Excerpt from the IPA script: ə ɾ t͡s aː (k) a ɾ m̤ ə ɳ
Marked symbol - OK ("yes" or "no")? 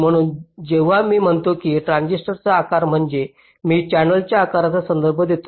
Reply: yes